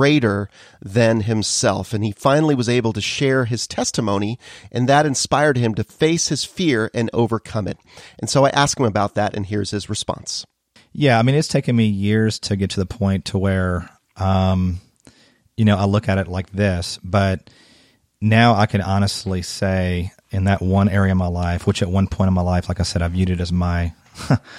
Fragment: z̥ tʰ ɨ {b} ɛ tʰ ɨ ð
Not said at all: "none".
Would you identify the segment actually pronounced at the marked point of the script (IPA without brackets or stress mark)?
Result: ɡ